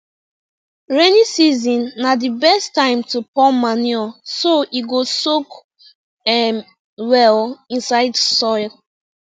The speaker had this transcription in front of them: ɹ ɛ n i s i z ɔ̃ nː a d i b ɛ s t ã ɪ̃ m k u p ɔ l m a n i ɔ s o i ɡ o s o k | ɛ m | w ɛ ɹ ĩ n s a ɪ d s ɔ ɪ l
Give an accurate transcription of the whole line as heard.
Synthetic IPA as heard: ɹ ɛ n i s i z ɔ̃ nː a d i b ɛ s t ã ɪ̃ m t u p ɔ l m a n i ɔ s o i ɡ o s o k | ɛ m | w ɛ l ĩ n s a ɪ d s ɔ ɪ l